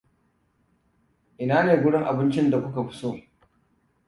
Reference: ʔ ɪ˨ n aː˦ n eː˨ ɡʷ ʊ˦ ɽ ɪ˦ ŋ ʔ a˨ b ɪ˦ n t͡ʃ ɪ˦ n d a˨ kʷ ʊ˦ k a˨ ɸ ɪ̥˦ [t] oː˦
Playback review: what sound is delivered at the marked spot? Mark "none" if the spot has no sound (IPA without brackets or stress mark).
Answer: s